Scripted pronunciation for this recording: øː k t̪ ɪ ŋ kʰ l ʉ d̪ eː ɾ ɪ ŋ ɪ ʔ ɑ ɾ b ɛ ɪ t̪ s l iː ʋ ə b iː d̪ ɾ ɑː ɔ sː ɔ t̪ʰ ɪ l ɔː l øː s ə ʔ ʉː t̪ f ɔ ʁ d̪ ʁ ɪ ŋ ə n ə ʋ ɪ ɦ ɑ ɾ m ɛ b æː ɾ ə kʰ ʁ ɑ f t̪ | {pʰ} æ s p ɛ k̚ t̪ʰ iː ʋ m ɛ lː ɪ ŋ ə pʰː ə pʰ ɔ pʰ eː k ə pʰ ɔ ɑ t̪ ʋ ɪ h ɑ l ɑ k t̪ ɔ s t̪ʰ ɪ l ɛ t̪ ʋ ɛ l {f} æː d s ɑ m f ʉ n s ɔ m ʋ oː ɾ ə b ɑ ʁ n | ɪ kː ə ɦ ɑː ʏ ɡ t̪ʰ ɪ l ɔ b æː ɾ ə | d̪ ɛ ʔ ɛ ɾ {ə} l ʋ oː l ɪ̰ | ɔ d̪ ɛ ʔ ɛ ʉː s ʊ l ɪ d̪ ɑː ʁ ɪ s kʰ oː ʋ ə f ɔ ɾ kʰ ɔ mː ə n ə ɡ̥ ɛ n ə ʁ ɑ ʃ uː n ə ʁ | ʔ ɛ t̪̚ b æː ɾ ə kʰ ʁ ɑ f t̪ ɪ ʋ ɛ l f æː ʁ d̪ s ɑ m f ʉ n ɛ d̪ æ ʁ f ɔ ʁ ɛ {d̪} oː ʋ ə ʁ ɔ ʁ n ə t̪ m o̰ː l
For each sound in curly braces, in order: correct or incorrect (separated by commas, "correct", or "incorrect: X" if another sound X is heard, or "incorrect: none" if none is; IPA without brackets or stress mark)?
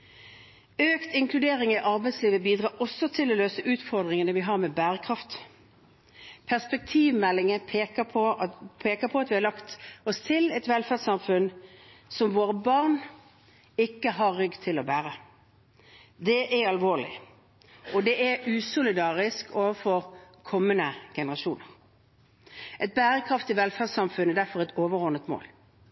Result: correct, correct, incorrect: ɑ, incorrect: t̪